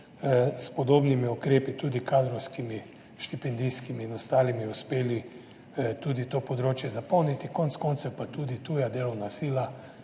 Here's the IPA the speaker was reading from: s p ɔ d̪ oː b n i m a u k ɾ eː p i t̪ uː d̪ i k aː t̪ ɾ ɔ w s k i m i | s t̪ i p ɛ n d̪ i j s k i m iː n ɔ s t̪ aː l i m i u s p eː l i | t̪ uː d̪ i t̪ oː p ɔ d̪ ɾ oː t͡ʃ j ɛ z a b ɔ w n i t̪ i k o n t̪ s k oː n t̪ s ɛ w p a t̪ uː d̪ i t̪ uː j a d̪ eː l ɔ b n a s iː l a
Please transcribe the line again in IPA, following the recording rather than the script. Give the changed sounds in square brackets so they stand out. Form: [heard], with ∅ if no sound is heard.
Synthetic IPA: s p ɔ d̪ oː b n i m [i] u k ɾ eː p i t̪ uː d̪ i k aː [d̪] ɾ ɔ w s k i m i | [ʃ] t̪ i p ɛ n d̪ i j s k i m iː n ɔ s t̪ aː l i m i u s p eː l i | t̪ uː d̪ i t̪ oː p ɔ d̪ ɾ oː t͡ʃ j ɛ z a [p] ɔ w n i t̪ i k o n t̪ s k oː n t̪ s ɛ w p a t̪ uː d̪ i t̪ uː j a d̪ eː l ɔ [w] n a s iː l a